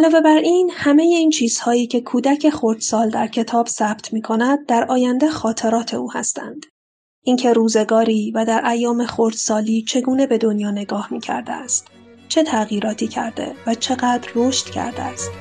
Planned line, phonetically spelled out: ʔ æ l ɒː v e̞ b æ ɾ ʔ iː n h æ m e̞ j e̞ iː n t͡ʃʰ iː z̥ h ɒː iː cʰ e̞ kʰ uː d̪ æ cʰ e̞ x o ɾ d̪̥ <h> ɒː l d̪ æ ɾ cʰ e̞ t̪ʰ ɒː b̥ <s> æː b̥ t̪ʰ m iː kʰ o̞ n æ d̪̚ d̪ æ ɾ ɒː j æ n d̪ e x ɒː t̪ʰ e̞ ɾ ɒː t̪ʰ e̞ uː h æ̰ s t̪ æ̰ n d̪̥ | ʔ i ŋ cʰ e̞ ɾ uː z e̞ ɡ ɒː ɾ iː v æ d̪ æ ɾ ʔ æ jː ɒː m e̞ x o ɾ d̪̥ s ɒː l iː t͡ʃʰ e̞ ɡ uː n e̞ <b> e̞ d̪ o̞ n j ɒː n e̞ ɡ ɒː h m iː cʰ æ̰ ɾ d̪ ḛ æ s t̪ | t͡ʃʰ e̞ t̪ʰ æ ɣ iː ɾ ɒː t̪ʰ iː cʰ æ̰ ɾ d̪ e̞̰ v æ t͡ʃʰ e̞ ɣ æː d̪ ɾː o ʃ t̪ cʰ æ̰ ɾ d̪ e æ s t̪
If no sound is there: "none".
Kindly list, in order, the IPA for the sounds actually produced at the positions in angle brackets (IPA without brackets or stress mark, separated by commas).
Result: s, s, b